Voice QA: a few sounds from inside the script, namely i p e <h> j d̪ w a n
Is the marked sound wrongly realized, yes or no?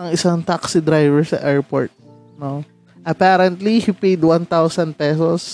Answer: yes